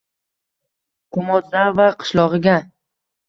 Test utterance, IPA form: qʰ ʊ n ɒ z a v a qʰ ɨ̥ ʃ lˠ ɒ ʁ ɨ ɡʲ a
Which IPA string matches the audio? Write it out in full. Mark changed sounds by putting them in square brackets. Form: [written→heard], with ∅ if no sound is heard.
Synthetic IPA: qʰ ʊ [n→m] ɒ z a v a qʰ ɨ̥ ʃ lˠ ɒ ʁ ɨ ɡʲ a